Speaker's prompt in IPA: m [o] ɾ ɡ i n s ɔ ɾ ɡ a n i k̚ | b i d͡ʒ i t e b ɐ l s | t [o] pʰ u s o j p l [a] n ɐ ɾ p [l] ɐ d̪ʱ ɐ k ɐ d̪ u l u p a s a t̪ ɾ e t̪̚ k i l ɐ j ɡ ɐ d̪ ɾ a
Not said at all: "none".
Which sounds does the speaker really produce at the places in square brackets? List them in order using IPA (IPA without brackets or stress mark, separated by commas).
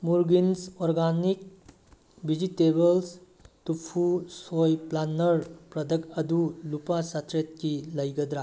u, u, a, ɾ